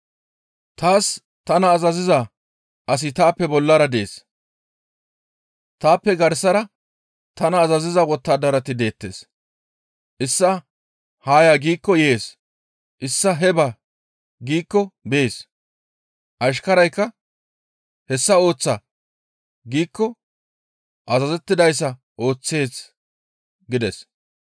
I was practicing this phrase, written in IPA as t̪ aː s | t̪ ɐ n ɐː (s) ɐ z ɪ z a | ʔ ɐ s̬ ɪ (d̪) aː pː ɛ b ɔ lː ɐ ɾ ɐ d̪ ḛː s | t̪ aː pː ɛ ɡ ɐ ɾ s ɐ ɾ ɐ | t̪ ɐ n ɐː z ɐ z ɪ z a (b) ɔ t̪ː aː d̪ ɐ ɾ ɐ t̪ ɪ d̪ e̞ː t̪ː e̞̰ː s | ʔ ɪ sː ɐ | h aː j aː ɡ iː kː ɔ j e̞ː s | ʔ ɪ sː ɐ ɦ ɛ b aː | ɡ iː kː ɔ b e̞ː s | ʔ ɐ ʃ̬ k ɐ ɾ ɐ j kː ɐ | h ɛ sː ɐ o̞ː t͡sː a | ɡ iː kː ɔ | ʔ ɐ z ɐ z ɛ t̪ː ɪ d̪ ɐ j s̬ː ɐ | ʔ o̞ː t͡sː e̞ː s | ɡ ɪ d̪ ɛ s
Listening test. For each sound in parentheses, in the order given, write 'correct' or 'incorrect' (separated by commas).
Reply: incorrect, incorrect, incorrect